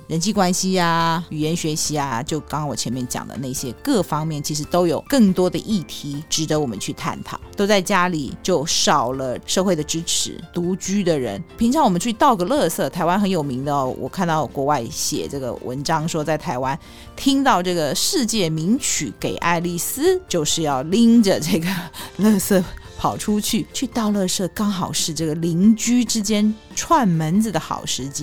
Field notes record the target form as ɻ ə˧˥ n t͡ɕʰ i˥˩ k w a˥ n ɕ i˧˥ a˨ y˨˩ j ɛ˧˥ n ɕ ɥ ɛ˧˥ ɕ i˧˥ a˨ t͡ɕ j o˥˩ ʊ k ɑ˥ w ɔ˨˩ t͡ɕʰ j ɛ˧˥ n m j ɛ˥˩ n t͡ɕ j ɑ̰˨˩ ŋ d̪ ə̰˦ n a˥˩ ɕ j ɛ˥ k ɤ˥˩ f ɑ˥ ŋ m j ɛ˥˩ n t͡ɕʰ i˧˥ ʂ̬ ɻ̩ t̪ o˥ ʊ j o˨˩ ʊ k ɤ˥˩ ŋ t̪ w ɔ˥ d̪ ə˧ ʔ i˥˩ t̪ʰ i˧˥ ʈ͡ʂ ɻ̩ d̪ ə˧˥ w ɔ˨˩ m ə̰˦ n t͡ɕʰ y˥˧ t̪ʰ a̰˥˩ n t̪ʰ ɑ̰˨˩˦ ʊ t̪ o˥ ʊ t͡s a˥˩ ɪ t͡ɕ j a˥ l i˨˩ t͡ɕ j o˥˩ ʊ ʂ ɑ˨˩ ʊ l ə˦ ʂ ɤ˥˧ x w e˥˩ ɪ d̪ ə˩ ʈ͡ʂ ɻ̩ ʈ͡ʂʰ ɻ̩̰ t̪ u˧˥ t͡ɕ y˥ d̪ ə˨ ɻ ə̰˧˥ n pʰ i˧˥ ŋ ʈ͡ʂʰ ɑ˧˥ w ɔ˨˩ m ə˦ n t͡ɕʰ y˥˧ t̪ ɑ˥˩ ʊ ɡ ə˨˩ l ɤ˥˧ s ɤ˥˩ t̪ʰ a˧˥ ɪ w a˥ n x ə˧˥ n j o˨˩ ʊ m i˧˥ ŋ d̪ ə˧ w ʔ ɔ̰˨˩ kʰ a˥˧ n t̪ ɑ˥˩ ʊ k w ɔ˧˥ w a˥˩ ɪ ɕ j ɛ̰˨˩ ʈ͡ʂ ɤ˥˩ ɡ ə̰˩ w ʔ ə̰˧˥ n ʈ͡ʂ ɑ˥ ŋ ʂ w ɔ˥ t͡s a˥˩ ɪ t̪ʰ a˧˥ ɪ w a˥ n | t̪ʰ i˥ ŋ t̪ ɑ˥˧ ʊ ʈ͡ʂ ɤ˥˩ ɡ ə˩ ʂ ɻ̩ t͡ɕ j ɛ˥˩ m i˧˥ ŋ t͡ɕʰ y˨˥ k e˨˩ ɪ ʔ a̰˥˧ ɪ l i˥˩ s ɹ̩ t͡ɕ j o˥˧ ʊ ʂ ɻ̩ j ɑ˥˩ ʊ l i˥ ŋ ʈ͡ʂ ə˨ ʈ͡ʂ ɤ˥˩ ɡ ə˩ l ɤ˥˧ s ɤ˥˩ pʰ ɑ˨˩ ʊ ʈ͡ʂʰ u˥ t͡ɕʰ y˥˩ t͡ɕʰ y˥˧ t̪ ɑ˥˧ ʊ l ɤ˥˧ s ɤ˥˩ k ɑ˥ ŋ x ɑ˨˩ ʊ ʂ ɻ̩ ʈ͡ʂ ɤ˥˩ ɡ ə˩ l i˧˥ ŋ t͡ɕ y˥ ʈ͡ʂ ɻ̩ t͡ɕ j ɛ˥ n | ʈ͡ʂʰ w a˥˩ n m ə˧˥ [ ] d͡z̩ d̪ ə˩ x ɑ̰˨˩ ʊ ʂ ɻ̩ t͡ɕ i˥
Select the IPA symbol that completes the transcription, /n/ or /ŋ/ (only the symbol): n